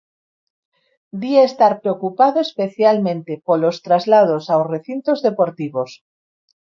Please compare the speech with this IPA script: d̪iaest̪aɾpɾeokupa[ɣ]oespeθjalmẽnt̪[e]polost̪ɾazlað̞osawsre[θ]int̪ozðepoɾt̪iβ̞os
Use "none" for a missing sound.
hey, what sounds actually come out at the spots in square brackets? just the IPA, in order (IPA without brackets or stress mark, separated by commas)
ð, e, θ